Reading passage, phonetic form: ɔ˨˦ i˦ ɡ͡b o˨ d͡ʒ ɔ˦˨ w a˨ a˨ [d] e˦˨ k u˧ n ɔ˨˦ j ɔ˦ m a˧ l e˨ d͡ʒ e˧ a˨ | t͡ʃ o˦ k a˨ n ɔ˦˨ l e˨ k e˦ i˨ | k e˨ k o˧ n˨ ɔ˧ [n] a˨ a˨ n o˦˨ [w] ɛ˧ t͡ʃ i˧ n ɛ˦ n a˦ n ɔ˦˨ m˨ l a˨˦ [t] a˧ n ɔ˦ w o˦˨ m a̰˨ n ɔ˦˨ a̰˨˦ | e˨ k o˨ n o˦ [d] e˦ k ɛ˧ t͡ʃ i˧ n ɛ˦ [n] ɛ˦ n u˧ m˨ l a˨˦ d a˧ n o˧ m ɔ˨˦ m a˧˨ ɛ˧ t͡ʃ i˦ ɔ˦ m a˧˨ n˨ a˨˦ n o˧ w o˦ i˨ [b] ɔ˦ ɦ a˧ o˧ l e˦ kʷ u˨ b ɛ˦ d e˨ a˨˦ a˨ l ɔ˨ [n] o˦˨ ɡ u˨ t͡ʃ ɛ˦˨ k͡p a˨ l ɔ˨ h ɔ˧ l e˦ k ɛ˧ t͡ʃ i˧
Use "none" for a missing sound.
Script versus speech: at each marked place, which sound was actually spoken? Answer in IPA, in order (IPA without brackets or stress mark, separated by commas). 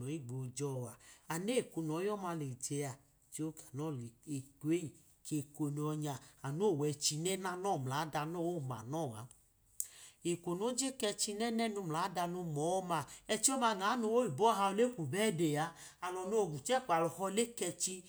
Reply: n, ɲ, w, d, d͡ʒ, n, b, n